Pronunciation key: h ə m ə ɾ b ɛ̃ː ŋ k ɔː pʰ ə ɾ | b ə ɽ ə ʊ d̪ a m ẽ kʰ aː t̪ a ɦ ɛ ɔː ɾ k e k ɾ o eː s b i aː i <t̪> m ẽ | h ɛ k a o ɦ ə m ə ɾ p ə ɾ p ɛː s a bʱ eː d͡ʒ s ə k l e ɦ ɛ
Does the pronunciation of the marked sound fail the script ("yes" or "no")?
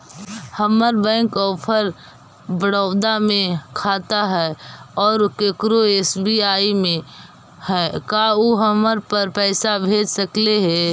yes